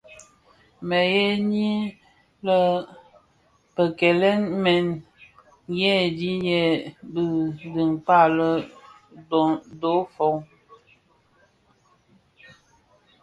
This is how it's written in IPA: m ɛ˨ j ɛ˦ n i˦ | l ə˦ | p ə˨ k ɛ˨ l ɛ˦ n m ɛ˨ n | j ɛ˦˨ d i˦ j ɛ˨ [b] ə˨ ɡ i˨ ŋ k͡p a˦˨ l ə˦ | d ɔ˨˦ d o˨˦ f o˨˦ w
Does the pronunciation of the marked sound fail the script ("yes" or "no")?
no